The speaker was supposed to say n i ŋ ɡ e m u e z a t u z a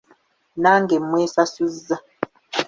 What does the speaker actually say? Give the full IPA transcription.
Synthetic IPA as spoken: n a ŋ ɡ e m w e s a s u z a